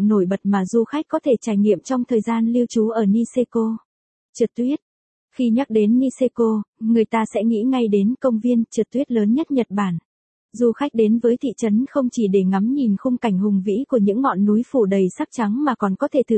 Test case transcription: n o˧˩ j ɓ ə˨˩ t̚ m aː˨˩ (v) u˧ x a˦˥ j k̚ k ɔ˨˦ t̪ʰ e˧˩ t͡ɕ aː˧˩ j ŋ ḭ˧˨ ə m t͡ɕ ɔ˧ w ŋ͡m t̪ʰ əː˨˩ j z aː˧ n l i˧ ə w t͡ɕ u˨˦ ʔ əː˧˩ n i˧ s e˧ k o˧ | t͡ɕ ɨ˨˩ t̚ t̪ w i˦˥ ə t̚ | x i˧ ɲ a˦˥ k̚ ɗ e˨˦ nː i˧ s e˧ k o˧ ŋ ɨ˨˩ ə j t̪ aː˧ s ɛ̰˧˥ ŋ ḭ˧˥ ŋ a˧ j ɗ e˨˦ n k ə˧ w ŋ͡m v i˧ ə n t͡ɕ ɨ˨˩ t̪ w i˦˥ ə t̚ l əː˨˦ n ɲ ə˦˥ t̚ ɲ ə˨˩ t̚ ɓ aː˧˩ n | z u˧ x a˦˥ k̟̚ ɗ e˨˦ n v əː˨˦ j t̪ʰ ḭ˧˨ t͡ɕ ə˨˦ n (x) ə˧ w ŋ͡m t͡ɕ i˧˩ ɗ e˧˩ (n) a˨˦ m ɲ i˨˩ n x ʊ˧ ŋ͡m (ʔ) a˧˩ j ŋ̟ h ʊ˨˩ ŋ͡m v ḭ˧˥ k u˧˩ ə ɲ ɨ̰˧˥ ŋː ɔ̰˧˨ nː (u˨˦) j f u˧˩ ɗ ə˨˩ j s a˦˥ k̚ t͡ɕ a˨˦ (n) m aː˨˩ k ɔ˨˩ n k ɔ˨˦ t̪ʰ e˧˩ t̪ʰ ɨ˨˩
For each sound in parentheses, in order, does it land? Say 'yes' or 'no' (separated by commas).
no, yes, no, no, yes, no